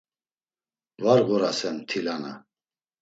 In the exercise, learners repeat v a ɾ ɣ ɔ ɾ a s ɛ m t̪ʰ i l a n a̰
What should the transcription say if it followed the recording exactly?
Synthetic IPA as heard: v a ɾ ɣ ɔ ɾ a s ɛ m t̪ʰ i l a n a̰